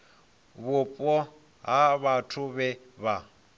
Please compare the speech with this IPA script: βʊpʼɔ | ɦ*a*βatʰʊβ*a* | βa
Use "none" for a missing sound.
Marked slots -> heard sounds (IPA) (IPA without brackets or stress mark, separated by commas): a, ɛ